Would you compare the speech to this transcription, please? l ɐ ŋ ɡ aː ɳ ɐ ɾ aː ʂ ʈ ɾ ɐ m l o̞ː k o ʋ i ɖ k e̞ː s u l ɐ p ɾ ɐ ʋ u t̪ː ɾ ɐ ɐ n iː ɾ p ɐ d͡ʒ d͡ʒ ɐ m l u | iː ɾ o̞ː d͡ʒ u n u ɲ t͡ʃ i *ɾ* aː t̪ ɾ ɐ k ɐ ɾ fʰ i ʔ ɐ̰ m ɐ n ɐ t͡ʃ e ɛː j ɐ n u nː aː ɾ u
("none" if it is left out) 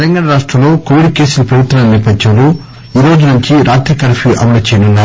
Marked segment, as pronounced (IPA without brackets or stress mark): ɾ